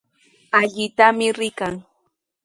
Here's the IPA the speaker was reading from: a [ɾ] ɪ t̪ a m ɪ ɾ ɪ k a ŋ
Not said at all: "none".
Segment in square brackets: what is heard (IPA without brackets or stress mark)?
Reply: ʎ